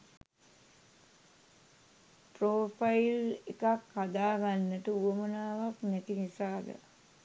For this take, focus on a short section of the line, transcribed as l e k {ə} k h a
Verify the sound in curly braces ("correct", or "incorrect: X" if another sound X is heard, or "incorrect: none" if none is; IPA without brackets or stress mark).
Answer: incorrect: a